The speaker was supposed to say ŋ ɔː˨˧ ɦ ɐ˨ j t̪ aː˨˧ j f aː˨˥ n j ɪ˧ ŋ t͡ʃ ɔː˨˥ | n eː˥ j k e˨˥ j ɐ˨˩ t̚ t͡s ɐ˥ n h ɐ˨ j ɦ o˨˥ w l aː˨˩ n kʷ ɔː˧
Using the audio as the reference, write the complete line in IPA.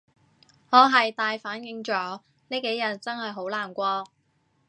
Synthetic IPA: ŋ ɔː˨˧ ɦ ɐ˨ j t̪ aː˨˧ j f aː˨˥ n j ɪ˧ ŋ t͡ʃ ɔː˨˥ | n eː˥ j k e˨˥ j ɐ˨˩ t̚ t͡s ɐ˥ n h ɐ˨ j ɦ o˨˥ w l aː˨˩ n kʷ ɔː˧